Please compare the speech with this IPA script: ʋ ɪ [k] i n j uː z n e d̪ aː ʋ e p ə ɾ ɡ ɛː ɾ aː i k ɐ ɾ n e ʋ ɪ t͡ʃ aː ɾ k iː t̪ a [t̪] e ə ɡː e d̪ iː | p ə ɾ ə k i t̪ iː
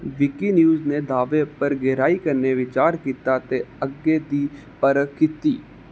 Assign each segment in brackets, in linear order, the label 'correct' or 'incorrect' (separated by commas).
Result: correct, correct